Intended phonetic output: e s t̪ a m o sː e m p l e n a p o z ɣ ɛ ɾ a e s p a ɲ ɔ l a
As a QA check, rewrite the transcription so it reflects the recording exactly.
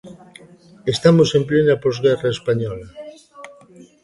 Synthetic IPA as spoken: e s t̪ a m o s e m p l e n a p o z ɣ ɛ r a e s p a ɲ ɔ l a